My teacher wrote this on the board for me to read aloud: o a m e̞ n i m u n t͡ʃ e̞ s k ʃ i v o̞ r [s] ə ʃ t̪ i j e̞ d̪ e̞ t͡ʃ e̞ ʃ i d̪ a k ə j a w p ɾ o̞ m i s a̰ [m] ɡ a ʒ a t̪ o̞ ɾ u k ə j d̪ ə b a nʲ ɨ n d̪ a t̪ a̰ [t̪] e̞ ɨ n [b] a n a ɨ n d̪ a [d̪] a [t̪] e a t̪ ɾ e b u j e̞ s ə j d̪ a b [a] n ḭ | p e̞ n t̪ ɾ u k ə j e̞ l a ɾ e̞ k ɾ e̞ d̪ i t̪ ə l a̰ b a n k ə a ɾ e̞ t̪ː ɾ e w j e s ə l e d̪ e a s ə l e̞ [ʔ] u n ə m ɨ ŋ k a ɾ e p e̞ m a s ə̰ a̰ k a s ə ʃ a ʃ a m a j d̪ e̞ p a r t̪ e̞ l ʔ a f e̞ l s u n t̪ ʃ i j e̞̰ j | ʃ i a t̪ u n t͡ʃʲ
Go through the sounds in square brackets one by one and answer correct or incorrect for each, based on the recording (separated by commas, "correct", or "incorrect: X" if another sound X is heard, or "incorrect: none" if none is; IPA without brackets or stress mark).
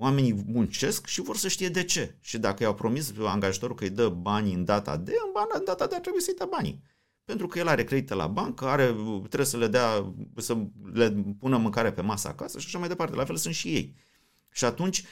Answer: correct, incorrect: ŋ, incorrect: d̪, correct, incorrect: t̪, incorrect: d̪, correct, incorrect: p